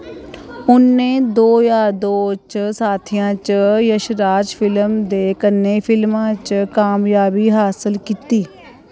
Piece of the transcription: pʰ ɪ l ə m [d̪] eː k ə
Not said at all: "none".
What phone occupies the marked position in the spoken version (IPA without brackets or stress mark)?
d̪